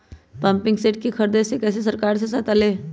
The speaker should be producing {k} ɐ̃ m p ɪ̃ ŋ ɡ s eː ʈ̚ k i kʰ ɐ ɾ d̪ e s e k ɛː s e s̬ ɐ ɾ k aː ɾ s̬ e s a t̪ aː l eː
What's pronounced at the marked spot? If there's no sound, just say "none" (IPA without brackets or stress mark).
p